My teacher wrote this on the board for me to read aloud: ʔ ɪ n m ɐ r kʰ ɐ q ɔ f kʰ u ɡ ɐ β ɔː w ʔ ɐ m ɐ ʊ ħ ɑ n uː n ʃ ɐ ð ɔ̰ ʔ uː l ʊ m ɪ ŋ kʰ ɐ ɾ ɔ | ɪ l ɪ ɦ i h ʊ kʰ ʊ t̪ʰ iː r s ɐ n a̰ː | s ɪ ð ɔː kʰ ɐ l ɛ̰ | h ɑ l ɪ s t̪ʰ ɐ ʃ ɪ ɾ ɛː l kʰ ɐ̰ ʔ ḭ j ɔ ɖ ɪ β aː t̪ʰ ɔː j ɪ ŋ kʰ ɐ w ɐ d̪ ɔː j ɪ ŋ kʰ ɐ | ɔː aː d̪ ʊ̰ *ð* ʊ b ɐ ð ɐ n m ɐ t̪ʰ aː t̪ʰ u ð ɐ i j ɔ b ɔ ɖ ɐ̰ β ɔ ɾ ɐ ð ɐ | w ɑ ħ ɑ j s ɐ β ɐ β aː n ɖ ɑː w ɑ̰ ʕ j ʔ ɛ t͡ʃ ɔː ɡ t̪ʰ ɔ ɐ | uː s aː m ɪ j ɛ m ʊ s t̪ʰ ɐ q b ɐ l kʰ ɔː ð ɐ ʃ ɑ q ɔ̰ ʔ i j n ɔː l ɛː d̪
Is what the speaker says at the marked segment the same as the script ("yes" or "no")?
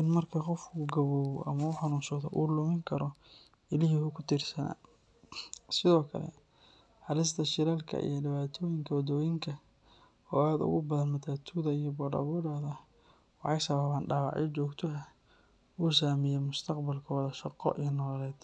no